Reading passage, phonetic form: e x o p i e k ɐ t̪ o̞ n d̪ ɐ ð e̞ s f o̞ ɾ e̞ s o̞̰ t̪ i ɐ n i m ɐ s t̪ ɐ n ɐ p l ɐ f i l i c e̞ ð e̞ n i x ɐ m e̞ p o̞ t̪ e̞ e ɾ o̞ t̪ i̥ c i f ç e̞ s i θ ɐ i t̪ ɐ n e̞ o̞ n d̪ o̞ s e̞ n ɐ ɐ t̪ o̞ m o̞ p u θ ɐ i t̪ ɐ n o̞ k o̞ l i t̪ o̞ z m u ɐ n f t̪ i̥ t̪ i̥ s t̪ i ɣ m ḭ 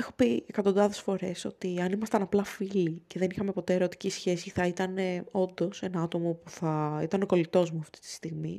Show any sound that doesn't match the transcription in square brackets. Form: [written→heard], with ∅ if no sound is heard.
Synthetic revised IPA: e x o p i e k ɐ t̪ o̞ n d̪ ɐ ð e̞ s f o̞ ɾ e̞ s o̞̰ t̪ i ɐ n i m ɐ s t̪ ɐ n ɐ p l ɐ f i l i c e̞ ð e̞ n i x ɐ m e̞ p o̞ t̪ e̞ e ɾ o̞ t̪ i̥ c i [f→s] ç e̞ s i θ ɐ i t̪ ɐ n e̞ o̞ n d̪ o̞ s e̞ n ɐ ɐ t̪ o̞ m o̞ p u θ ɐ i t̪ ɐ n o̞ k o̞ l i t̪ o̞ z m u ɐ [n→∅] f t̪ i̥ t̪ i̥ s t̪ i ɣ m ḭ